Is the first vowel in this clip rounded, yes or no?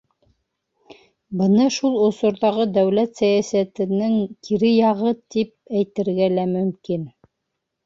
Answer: no